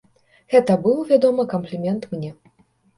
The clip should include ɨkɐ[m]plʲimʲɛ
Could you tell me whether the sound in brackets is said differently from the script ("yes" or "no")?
no